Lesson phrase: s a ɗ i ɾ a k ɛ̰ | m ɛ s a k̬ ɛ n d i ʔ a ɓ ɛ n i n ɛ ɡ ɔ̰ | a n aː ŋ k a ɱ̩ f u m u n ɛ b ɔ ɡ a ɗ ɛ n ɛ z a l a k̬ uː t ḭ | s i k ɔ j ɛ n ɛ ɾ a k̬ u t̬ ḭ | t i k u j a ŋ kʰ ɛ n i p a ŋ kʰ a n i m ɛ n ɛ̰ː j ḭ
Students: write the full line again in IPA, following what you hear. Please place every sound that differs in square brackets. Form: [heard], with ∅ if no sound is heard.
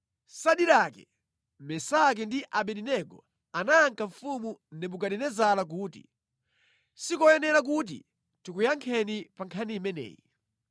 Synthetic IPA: s a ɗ i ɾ a k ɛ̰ | m ɛ s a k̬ ɛ n d i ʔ a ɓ ɛ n i n ɛ ɡ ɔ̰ | a n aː ŋ k a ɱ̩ f u m u n ɛ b [u] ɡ a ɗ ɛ n ɛ z a l a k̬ uː t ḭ | s i k ɔ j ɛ n ɛ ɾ a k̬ u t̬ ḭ | t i k u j a ŋ kʰ ɛ n i p a ŋ kʰ a n i m ɛ n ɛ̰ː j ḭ

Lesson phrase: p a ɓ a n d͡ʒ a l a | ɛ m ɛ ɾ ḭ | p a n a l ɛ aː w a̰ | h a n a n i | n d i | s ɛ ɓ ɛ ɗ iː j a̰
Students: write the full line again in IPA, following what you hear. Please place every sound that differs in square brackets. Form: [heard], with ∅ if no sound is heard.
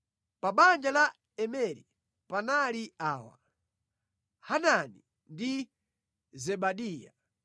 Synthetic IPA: p a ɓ a n d͡ʒ a l a | ɛ m ɛ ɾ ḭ | p a n a l [i] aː w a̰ | h a n a n i | n d i | [z] ɛ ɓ [a] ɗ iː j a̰

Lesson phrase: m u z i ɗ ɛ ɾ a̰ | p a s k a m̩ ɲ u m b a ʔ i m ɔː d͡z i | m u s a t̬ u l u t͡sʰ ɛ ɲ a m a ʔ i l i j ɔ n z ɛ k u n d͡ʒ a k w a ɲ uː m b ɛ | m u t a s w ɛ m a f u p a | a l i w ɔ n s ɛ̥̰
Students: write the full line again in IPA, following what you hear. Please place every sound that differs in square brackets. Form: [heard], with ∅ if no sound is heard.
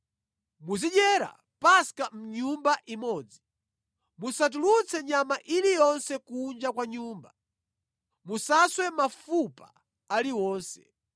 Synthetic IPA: m u z i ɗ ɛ ɾ a̰ | p a s k a m̩ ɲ u m b a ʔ i m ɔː d͡z i | m u s a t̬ u l u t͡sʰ ɛ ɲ a m a ʔ i l i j ɔ n [s] ɛ k u n d͡ʒ a k w a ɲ uː m b [a] | m u [s] a s w ɛ m a f u p a | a l i w [ɔː] n s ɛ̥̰

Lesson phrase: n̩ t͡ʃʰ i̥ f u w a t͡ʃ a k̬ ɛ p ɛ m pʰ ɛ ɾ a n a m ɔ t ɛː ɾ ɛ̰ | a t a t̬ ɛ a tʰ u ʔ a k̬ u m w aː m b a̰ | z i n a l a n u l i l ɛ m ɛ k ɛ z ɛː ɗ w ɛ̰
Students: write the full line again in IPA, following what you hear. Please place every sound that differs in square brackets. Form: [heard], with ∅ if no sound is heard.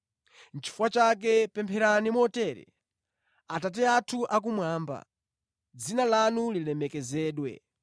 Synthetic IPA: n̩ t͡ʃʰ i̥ f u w a t͡ʃ a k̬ ɛ p ɛ m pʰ ɛ ɾ a n [i] m ɔ t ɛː ɾ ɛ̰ | a t a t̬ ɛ a tʰ u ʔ a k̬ u m w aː m b a̰ | [d͡z] i n a l a n u l i l ɛ m ɛ k ɛ z ɛː ɗ w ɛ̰

